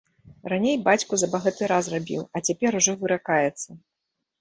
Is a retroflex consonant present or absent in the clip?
present